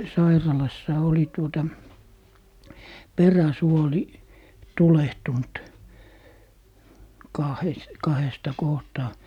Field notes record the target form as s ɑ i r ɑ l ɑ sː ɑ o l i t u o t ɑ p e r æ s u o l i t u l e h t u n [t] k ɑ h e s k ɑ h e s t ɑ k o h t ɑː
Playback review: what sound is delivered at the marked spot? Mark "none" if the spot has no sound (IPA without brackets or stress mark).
t